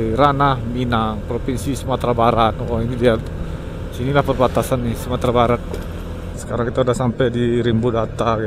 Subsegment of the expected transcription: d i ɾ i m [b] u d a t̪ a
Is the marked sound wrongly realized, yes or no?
no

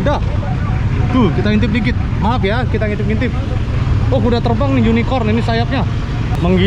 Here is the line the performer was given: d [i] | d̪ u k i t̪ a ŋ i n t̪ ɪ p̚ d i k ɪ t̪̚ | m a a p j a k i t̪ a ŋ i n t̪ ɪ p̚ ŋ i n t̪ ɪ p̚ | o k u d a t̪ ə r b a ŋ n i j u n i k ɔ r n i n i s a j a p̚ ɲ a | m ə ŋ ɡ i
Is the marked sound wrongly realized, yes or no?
yes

